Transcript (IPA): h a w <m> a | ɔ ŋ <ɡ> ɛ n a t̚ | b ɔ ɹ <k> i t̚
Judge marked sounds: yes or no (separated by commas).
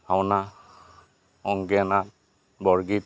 no, yes, no